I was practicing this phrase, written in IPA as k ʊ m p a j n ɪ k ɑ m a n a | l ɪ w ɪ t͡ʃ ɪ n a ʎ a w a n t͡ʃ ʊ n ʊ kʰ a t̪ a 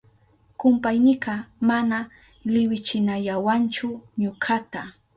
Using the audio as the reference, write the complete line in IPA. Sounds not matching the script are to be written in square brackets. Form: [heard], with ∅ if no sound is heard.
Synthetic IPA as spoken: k ʊ m p a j n ɪ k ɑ m a n a | l ɪ w ɪ t͡ʃ ɪ n a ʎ a w a n t͡ʃ ʊ [ɲ] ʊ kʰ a t̪ a